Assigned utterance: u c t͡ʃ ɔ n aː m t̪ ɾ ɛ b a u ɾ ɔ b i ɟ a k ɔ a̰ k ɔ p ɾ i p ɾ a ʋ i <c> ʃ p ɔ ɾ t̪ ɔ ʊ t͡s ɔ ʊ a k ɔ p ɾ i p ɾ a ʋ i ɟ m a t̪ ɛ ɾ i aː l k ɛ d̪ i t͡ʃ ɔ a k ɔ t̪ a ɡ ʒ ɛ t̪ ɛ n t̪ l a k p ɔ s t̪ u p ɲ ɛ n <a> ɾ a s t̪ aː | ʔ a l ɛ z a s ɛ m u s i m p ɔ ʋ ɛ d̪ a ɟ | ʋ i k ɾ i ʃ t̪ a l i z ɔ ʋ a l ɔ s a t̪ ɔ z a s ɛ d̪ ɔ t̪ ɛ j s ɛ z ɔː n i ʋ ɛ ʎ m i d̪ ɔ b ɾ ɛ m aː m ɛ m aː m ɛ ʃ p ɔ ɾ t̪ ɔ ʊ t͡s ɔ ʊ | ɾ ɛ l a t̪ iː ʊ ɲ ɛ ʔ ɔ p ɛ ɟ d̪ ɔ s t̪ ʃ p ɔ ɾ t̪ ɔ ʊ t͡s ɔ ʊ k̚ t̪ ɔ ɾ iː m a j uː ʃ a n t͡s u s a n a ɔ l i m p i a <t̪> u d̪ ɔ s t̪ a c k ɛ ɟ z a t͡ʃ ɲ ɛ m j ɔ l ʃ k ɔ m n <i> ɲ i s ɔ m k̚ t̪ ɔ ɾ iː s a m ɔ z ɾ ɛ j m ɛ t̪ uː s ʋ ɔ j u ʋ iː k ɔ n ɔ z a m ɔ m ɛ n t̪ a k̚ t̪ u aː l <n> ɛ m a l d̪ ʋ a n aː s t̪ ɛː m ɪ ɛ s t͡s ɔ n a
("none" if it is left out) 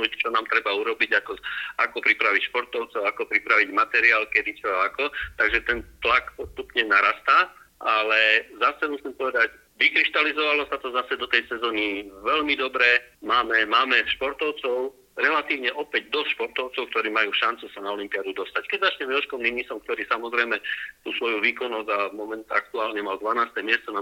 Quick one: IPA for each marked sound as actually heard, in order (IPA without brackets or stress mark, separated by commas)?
c, a, d̪, i, ɲ